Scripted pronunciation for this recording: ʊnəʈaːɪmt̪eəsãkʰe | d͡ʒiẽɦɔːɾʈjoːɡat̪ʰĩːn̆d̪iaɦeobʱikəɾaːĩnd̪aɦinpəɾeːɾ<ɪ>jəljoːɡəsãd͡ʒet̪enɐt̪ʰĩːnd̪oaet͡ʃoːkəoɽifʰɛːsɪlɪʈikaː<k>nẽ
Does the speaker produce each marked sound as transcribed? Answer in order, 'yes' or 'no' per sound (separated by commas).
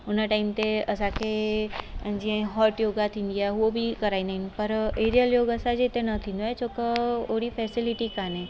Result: no, no